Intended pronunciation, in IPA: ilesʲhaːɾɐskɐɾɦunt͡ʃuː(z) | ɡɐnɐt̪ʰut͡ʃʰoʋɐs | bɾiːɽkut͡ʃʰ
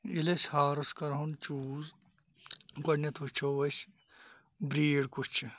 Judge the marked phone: correct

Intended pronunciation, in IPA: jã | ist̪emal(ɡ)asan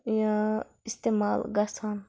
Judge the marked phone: correct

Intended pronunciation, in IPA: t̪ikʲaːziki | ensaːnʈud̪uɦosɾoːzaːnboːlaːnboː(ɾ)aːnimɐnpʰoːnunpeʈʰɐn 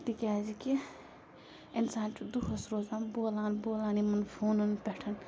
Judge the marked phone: incorrect: l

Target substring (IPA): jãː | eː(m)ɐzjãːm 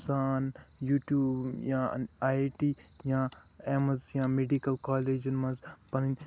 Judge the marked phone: correct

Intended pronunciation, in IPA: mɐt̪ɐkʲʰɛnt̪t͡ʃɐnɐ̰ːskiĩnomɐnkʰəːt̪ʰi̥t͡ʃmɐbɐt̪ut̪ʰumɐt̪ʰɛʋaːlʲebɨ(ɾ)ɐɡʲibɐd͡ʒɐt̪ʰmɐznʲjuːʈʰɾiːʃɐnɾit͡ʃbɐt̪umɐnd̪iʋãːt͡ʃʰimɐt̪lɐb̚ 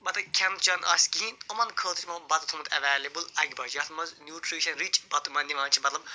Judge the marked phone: incorrect: l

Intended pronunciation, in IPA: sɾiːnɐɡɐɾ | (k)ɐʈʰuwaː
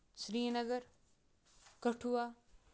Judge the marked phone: correct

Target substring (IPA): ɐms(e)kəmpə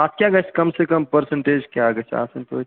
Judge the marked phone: correct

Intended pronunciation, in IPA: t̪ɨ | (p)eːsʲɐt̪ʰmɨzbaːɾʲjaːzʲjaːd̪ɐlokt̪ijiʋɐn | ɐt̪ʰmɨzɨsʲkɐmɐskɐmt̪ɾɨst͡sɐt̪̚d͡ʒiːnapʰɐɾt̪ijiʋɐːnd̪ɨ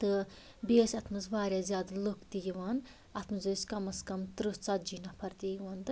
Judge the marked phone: incorrect: b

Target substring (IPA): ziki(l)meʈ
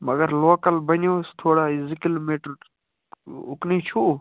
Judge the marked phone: correct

